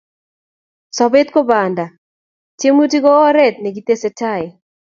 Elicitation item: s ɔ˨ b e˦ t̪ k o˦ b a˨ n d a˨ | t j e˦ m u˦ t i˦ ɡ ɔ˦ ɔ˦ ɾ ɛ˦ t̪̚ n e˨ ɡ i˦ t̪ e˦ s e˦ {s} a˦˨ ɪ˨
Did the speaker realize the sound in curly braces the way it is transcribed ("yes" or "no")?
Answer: no